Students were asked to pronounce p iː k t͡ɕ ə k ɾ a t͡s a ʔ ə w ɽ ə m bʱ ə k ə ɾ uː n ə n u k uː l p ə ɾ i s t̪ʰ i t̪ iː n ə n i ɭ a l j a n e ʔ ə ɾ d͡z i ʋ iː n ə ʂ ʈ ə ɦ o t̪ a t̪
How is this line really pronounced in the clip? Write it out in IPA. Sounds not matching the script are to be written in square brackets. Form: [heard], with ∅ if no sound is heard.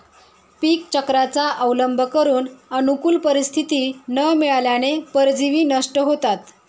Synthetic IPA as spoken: p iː k t͡ɕ ə k ɾ a t͡s a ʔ ə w [l] ə m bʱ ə k ə ɾ uː n ə n u k uː l p ə ɾ i s t̪ʰ i t̪ iː n ə [m] i ɭ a l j a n e [p] ə ɾ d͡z i ʋ iː n ə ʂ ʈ ə ɦ o t̪ a t̪